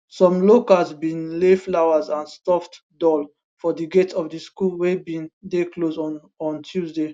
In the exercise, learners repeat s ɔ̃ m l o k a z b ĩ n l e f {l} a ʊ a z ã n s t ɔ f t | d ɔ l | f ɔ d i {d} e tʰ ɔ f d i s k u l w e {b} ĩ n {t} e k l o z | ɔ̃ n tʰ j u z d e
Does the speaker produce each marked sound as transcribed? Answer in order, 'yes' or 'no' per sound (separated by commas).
yes, no, yes, no